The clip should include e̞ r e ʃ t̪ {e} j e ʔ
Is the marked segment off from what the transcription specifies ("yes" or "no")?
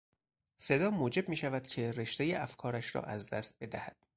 no